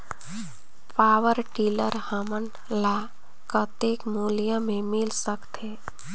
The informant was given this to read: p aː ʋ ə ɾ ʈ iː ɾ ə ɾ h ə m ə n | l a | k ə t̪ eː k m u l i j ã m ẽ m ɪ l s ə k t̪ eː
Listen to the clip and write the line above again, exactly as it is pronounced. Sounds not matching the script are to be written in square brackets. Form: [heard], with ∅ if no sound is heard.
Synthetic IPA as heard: p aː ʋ ə ɾ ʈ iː [l] ə ɾ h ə m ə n | l a | k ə t̪ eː k m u l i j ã m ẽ m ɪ l s ə k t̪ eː

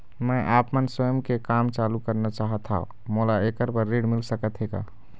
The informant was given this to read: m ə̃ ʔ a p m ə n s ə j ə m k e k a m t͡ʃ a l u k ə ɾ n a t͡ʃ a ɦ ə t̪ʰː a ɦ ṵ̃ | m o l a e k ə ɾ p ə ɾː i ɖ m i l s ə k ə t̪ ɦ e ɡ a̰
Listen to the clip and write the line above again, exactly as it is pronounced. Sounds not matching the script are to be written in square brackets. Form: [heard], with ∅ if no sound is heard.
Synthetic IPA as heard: m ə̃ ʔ a p m ə n s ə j ə m k e k a m t͡ʃ a l u k ə ɾ n a t͡ʃ a ɦ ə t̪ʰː a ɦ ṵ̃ | m o l a e k ə ɾ p ə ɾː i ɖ m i l s ə k ə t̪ ɦ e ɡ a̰

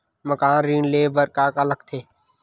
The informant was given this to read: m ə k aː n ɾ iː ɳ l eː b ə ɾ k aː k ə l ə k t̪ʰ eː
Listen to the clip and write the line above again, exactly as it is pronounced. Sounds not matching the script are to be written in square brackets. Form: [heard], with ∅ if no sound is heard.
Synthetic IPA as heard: m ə k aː n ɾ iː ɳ l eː b ə ɾ k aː k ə l ə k t̪ʰ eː

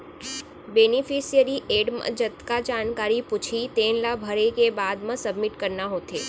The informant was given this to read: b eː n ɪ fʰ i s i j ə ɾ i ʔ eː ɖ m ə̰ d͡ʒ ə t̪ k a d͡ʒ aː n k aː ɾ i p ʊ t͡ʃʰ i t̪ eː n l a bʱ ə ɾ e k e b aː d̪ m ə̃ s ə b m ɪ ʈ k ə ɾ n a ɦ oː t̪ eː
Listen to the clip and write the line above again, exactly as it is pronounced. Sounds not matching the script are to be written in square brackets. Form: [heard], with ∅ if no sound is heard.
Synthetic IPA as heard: b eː n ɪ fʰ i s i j ə ɾ i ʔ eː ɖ m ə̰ d͡ʒ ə t̪ k a d͡ʒ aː n k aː ɾ i p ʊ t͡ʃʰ i t̪ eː n l a bʱ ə ɾ e k e b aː d̪ m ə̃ s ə b m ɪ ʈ k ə ɾ n a ɦ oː t̪ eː

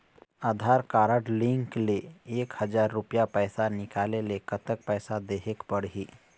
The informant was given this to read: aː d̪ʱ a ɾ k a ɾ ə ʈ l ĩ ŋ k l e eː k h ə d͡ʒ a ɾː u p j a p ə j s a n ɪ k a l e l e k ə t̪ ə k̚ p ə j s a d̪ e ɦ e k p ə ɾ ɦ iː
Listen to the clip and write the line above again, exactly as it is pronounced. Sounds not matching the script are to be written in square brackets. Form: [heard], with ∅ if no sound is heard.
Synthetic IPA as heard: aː d̪ʱ a ɾ k a ɾ ə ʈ l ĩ ŋ k l e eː k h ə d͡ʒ a ɾː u p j a p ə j s a n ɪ k a l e l e k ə t̪ ə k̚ p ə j s a d̪ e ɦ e k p ə [ɽ] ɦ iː

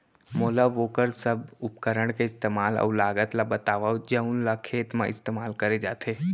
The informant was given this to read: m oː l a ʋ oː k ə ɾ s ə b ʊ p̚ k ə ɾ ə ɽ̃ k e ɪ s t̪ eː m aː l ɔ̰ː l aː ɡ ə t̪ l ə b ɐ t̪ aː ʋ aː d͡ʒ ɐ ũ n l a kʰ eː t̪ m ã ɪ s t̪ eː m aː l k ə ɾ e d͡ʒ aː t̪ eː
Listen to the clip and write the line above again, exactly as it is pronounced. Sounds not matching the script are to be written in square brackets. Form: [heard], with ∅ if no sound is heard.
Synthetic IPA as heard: m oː l a ʋ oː k ə ɾ s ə b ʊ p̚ k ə ɾ ə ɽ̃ k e ɪ s t̪ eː m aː l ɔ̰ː l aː ɡ ə t̪ l [a] b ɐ t̪ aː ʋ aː d͡ʒ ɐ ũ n l a kʰ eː t̪ m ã ɪ s t̪ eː m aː l k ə ɾ e d͡ʒ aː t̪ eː

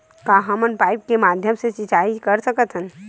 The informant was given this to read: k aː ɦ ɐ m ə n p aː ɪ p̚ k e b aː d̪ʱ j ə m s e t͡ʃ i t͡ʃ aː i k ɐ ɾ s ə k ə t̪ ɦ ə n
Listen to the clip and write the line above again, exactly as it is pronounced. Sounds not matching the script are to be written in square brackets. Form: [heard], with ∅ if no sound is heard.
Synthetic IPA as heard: k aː ɦ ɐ m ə n p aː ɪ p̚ k e [m] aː d̪ʱ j ə m s e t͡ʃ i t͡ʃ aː i k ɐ ɾ s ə k ə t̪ ɦ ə n

